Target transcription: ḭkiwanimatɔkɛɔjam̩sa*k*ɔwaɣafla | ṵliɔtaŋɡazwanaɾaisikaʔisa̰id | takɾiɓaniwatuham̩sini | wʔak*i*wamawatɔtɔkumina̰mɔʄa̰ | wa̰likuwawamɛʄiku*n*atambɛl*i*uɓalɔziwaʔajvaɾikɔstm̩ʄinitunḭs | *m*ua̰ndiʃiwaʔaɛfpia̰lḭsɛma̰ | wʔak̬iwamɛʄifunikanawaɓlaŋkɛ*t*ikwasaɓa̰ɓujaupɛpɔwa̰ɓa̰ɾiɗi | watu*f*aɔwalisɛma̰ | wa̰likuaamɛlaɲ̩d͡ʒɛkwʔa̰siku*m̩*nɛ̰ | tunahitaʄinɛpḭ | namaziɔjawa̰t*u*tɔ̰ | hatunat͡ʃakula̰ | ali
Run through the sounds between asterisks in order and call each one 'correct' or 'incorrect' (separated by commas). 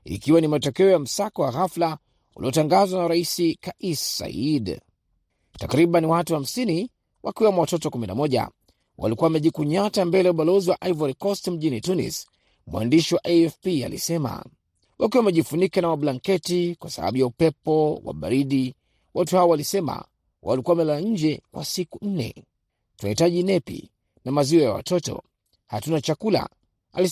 correct, correct, incorrect, incorrect, correct, correct, incorrect, incorrect, incorrect